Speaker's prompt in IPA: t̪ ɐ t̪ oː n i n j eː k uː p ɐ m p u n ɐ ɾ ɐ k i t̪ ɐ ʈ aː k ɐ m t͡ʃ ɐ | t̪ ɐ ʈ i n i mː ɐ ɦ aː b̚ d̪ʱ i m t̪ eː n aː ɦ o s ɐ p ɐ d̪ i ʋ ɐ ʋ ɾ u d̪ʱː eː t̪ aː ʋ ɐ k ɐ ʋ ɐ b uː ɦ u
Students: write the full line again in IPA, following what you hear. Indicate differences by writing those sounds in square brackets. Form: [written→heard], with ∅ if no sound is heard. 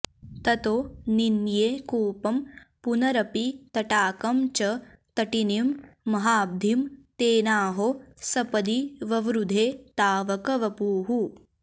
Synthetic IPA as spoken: t̪ ɐ t̪ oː n i n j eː k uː p ɐ m p u n ɐ ɾ ɐ [k→p] i t̪ ɐ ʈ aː k ɐ m t͡ʃ ɐ | t̪ ɐ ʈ i n i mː ɐ ɦ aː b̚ d̪ʱ i m t̪ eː n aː ɦ o s ɐ p ɐ d̪ i ʋ ɐ ʋ ɾ u [d̪ʱː→d̪ʱ] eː t̪ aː ʋ ɐ k ɐ ʋ ɐ [b→p] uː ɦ u